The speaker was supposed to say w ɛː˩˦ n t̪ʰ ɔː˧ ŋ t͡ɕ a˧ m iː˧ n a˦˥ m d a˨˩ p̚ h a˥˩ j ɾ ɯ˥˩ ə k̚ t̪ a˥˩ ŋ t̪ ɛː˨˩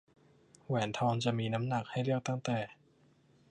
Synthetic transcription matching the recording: w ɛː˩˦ n t̪ʰ ɔː˧ ŋ t͡ɕ a˨˩ m iː˧ n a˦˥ m n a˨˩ k̚ h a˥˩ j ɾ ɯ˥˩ ə k̚ t̪ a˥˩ ŋ t̪ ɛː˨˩